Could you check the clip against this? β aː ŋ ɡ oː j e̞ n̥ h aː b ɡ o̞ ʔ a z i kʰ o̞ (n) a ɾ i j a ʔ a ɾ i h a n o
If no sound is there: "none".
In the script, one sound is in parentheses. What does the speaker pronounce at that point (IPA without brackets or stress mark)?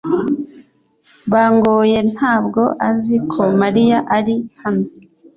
m